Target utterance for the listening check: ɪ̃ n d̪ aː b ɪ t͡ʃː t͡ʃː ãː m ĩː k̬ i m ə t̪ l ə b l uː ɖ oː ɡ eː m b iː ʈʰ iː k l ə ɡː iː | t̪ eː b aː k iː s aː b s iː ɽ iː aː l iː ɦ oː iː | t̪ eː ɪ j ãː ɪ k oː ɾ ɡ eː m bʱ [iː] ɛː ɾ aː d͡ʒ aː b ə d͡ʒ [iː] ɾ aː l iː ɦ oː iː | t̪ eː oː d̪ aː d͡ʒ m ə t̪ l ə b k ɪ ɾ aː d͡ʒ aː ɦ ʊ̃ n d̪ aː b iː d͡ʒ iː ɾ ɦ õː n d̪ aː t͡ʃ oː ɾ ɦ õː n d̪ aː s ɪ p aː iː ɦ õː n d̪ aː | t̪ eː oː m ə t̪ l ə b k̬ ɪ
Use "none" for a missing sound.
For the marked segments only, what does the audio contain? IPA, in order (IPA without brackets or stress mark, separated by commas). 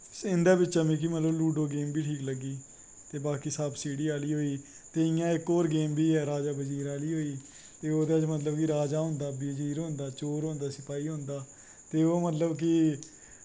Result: iː, iː